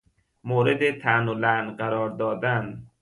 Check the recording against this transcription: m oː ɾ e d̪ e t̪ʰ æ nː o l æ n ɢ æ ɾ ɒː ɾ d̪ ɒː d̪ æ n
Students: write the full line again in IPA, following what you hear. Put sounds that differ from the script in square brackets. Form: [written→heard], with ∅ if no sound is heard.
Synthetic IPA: m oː ɾ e d̪ e t̪ʰ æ [nː→n] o l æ n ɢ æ ɾ ɒː ɾ d̪ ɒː d̪ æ n